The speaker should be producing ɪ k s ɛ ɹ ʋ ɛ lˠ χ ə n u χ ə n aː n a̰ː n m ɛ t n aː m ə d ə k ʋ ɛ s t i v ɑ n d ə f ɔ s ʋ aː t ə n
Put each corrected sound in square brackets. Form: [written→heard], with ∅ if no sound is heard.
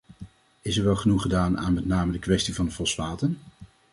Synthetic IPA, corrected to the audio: ɪ [k→∅] s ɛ ɹ ʋ ɛ lˠ χ ə n u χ ə [n→d] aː n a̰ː n m ɛ t n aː m ə d ə k ʋ ɛ s t i v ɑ n d ə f ɔ s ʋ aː t ə n